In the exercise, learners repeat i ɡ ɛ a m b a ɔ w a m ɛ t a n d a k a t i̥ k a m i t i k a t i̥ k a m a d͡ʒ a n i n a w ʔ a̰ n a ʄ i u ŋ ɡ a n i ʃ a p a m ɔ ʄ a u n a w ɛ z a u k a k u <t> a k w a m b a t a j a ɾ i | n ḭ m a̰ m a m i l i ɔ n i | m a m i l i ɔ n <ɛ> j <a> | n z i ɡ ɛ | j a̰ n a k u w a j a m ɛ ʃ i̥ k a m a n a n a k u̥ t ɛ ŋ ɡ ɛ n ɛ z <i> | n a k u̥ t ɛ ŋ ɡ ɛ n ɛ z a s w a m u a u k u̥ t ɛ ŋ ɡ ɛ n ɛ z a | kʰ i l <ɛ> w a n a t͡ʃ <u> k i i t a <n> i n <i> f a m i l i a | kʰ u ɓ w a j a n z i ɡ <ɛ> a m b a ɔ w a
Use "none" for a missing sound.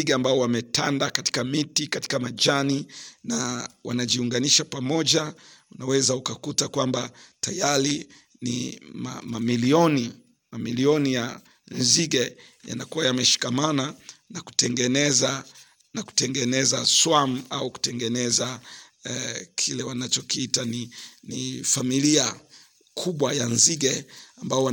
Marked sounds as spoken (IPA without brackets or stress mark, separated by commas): t, i, a, a, ɛ, ɔ, n, i, ɛ